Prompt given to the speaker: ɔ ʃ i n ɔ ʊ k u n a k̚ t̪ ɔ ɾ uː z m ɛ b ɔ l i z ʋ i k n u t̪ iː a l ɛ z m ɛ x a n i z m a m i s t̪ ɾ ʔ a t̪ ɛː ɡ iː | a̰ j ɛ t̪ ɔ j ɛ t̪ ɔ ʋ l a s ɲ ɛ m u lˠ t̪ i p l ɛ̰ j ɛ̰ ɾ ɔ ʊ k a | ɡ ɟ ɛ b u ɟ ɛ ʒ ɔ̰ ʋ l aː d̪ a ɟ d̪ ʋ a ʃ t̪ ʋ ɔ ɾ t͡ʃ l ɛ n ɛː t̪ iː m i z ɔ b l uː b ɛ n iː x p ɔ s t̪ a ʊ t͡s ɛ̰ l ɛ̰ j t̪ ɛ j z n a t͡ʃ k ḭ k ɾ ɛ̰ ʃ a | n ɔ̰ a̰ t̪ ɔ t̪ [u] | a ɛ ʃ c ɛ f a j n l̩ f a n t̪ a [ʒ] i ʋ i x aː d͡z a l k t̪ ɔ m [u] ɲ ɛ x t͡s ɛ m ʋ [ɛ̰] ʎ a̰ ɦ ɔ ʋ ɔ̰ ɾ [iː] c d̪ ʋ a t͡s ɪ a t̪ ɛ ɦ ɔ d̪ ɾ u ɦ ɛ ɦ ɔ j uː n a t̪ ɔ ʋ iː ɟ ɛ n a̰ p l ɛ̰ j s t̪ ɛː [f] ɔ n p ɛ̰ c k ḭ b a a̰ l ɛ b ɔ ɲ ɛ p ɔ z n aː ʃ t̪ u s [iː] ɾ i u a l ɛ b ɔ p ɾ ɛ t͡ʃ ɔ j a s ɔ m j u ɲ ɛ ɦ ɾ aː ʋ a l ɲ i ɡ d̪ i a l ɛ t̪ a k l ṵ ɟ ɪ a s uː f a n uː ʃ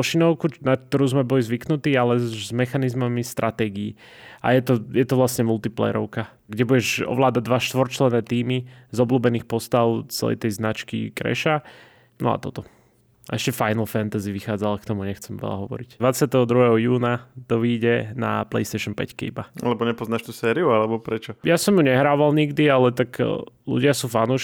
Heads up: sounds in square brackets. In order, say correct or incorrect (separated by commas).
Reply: incorrect, incorrect, correct, correct, incorrect, incorrect, incorrect